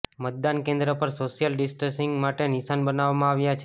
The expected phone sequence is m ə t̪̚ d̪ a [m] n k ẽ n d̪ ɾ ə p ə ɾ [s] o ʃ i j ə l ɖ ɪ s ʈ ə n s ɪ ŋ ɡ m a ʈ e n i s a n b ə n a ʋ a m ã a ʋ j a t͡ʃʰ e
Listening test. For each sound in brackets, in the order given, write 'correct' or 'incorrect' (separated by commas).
incorrect, correct